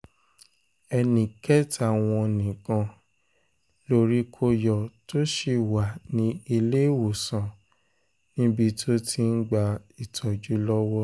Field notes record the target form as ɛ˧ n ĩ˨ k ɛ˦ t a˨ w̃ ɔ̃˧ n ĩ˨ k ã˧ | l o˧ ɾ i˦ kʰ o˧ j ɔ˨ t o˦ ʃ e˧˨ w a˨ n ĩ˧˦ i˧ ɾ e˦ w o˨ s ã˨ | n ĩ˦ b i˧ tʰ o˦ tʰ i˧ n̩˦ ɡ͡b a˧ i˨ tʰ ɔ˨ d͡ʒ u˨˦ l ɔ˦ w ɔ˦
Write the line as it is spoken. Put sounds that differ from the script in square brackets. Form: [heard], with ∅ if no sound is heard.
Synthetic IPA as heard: ɛ˧ n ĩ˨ k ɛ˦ t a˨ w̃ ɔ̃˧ n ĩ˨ k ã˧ | l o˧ ɾ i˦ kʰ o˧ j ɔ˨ t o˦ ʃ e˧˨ w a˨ n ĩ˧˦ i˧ [l] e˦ w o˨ s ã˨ | n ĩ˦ b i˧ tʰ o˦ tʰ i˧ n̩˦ ɡ͡b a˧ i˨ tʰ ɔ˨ d͡ʒ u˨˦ l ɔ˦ w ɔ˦